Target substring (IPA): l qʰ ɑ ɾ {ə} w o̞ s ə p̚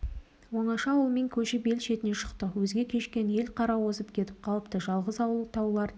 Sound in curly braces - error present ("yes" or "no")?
yes